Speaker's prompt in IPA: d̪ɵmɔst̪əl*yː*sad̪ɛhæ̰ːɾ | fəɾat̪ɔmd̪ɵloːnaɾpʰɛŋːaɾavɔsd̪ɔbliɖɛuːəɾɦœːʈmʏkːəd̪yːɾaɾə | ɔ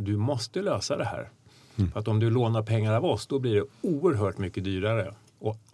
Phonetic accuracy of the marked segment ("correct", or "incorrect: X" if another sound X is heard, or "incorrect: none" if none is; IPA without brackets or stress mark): incorrect: øː